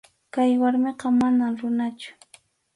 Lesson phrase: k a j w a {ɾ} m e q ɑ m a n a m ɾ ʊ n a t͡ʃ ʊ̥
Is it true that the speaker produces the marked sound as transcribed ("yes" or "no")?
yes